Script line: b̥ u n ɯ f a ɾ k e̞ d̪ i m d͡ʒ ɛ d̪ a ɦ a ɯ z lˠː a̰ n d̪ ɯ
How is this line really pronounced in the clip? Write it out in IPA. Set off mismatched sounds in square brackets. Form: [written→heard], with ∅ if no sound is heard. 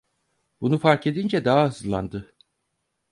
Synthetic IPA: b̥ u n [ɯ→u] f a ɾ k e̞ d̪ i [m→n] d͡ʒ ɛ d̪ a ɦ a ɯ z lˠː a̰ n d̪ ɯ